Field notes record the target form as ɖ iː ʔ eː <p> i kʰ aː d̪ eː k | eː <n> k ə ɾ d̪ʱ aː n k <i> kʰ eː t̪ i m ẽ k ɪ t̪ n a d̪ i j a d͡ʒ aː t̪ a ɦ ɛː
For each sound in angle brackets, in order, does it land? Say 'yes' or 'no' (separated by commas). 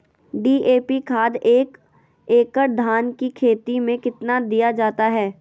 yes, no, yes